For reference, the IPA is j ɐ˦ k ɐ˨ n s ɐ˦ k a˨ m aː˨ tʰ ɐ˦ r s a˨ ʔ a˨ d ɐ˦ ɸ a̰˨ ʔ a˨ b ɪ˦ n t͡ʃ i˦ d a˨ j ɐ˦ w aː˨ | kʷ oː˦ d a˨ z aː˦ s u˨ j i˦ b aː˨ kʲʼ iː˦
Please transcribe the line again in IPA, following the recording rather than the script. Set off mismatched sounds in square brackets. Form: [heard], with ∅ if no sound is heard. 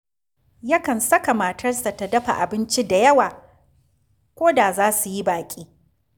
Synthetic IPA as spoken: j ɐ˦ k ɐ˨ n s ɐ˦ k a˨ m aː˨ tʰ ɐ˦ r s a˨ [t] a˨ d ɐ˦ ɸ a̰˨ ʔ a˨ b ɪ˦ n t͡ʃ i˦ d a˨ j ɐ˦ w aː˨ | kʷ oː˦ d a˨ z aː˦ s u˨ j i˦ b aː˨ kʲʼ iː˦

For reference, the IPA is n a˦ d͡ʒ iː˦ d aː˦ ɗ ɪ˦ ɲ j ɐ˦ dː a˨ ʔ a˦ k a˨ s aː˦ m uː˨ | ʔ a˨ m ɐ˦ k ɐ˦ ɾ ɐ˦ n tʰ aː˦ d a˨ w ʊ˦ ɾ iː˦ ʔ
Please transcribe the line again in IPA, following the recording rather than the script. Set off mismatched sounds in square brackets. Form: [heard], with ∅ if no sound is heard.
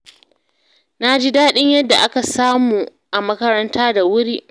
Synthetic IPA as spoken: n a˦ d͡ʒ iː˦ d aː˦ ɗ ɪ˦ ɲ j ɐ˦ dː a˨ ʔ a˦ k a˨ s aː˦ m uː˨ | ʔ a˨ m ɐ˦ k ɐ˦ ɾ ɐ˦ n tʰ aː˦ d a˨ w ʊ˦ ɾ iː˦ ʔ

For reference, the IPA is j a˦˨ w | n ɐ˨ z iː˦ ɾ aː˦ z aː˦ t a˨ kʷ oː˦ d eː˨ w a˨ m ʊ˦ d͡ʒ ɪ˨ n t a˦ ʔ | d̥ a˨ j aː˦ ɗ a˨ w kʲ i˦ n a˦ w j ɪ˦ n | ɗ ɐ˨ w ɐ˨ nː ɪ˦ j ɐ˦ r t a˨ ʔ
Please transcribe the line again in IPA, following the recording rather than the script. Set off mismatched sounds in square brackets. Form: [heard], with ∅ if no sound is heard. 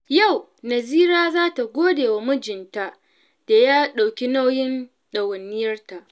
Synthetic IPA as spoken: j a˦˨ w | n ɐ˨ z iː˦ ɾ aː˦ z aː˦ t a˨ [ɡʷ] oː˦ d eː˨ w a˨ m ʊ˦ d͡ʒ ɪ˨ n t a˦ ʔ | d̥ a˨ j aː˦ ɗ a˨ w kʲ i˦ n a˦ w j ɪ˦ n | ɗ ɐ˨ w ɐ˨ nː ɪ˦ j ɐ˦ r t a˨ ʔ

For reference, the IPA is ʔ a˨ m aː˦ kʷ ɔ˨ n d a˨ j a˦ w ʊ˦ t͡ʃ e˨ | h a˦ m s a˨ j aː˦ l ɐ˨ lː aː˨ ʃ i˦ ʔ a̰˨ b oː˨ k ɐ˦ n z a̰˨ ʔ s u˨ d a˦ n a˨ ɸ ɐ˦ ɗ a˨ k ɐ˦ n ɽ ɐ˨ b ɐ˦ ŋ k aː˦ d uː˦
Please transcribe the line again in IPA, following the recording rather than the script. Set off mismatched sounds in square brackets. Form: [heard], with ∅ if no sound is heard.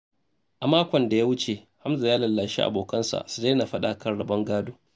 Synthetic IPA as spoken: ʔ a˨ m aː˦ kʷ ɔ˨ n d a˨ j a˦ w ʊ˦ t͡ʃ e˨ | h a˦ m [z] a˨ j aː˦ l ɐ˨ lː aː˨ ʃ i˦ ʔ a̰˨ b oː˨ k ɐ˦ n [s] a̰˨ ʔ s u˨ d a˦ n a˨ ɸ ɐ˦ ɗ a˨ k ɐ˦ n ɽ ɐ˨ b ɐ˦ ŋ [ɡ] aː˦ d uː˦

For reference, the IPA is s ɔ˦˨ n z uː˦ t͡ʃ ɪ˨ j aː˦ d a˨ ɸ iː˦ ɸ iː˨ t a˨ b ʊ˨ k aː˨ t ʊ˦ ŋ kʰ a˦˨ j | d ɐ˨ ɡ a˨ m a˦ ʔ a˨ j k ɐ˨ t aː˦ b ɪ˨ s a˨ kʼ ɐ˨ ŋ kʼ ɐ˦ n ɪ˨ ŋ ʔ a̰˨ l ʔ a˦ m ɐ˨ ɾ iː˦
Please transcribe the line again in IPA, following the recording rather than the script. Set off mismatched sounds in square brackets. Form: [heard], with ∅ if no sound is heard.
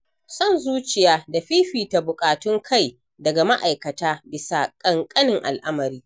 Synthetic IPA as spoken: s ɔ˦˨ n z uː˦ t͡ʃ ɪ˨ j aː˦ d a˨ ɸ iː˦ ɸ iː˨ t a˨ b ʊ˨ [kʼ] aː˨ t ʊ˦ ŋ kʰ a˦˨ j | d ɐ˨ ɡ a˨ m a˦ ʔ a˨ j k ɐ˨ t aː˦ b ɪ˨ s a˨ kʼ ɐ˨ ŋ kʼ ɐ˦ n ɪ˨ ŋ ʔ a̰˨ l ʔ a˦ m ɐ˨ ɾ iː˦

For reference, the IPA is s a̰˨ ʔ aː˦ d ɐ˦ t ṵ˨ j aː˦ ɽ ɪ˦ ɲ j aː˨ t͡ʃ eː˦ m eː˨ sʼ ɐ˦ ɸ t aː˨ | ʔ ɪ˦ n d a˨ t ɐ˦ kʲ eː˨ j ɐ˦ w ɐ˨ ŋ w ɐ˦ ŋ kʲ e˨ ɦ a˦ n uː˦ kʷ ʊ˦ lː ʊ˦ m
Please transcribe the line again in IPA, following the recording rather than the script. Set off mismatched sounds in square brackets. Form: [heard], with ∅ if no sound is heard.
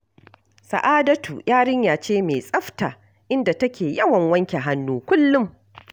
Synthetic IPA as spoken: s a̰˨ ʔ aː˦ d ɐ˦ t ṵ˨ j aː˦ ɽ ɪ˦ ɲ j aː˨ t͡ʃ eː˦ m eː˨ sʼ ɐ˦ ɸ t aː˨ | ʔ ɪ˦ n d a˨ t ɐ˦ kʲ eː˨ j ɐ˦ w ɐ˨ ŋ w ɐ˦ ŋ kʲ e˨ ɦ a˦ [nː] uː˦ kʷ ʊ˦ lː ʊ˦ m

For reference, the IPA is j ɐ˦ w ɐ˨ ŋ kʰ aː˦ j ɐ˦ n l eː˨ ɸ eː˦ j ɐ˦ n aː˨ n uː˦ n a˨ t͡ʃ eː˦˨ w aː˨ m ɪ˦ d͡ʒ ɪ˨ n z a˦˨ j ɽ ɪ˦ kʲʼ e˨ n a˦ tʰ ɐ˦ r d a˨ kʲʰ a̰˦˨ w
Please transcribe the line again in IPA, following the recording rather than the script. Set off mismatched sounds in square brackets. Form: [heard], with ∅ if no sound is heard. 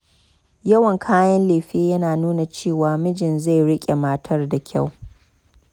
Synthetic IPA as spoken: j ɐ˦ w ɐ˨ ŋ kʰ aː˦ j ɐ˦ n l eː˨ ɸ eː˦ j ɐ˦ n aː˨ n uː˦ n a˨ t͡ʃ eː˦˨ w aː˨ m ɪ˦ d͡ʒ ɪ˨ n z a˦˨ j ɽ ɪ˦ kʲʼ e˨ [m] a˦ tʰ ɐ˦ r d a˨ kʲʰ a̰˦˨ w

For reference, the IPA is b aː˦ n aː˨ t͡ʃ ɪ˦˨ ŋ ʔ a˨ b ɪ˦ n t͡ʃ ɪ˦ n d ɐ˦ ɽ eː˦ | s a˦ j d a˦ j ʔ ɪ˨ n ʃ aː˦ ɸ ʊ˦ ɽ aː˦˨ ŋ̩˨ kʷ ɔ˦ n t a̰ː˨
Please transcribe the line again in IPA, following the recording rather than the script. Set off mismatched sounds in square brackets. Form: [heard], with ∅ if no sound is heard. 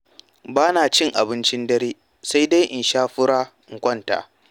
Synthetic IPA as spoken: b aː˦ n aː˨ t͡ʃ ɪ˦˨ ŋ ʔ a˨ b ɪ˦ n t͡ʃ ɪ˦ n d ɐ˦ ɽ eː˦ | s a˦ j d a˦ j ʔ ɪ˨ n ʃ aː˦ ɸ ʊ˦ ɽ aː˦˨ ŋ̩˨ kʷ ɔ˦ n t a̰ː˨

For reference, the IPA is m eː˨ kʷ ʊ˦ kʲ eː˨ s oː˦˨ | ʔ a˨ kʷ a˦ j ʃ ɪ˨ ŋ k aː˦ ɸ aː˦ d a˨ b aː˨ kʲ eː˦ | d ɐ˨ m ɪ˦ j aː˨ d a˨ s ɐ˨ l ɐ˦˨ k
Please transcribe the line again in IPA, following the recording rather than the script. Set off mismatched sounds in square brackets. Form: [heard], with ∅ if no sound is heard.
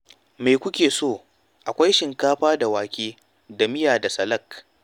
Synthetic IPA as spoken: m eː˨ kʷ ʊ˦ kʲ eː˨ s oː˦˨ | ʔ a˨ kʷ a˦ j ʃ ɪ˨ ŋ k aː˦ ɸ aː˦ d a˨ [w] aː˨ kʲ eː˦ | d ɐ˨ m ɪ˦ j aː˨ d a˨ s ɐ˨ l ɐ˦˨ k

